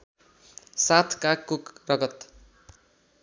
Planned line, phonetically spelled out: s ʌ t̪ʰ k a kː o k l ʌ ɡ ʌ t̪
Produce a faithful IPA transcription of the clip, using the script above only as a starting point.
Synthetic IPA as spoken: s a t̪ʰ k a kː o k r ʌ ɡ ʌ t̪